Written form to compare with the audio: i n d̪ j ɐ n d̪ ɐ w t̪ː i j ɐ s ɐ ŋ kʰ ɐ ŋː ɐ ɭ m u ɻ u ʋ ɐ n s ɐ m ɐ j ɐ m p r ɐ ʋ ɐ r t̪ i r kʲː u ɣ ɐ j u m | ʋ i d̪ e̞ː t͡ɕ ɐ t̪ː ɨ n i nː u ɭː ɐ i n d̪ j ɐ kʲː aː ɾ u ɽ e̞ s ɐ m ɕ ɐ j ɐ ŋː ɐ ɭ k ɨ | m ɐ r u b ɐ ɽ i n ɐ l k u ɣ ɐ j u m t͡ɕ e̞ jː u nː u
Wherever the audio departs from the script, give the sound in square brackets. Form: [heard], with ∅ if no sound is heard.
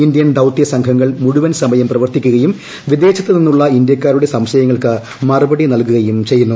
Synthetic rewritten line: i n d̪ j ɐ n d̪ ɐ w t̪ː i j ɐ s ɐ ŋ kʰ ɐ ŋː ɐ ɭ m u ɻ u ʋ ɐ n s ɐ m ɐ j ɐ m p r ɐ ʋ ɐ r t̪ i [∅] kʲː u ɣ ɐ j u m | ʋ i d̪ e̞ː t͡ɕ ɐ t̪ː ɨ n i nː u ɭː ɐ i n d̪ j ɐ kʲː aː ɾ u ɽ e̞ s ɐ m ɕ ɐ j ɐ ŋː ɐ ɭ k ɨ | m ɐ r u b ɐ ɽ i n ɐ l k u ɣ ɐ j u m t͡ɕ e̞ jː u nː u